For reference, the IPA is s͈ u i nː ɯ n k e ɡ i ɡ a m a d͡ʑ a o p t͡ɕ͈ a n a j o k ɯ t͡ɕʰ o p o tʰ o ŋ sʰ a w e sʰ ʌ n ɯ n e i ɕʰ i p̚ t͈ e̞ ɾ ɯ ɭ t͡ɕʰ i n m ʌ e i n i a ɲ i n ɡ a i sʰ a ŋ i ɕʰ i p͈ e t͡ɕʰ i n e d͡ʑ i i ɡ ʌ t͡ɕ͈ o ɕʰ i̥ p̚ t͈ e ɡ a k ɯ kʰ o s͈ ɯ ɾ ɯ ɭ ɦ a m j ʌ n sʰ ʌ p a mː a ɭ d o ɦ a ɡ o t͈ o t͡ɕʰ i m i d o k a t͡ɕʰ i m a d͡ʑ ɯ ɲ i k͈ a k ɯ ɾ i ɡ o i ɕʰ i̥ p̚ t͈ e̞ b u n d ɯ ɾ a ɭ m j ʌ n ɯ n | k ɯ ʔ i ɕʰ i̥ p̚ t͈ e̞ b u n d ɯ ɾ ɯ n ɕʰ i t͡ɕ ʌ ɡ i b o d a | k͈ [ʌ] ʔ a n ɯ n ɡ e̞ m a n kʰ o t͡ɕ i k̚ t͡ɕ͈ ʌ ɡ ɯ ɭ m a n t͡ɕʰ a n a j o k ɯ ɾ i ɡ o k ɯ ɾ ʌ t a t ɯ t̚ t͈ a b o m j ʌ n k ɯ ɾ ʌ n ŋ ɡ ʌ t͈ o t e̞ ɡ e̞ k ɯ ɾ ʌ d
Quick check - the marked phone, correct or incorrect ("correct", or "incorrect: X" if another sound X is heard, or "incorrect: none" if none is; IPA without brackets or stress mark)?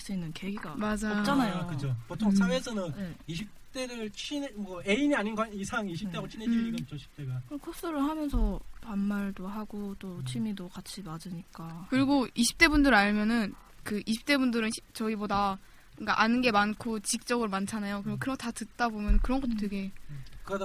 incorrect: a